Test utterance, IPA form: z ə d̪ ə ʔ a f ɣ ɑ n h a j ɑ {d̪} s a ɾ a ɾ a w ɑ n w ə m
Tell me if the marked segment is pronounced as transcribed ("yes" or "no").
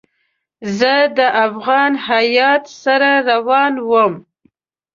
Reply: no